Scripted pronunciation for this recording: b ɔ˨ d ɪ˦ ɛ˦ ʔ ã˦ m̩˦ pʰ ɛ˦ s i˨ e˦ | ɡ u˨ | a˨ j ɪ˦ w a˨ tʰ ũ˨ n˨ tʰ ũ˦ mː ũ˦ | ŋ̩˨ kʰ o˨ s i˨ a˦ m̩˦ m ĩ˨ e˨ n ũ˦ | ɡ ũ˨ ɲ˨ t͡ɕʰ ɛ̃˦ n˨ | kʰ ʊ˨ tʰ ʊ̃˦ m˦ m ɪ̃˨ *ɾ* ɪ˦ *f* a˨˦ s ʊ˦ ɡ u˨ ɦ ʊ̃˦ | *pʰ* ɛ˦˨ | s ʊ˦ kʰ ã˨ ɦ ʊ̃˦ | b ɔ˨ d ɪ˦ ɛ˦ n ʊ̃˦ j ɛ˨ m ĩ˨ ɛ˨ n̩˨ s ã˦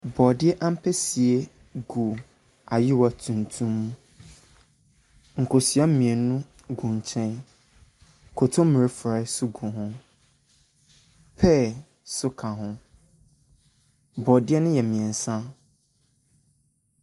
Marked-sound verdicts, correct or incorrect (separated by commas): correct, correct, correct